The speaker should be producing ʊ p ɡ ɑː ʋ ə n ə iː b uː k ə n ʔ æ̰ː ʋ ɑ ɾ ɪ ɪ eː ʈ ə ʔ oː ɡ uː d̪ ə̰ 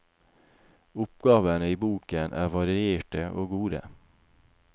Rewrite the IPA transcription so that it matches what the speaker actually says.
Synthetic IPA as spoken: ʊ p ɡ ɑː ʋ ə n ə iː b uː k ə n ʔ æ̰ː ʋ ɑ ɾ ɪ ɪ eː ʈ ə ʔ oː ɡ uː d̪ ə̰